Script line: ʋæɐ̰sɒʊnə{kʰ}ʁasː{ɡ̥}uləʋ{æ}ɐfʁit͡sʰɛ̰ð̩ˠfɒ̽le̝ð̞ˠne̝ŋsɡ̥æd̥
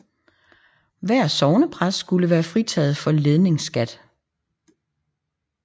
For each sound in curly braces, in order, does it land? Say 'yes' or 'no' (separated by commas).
no, yes, no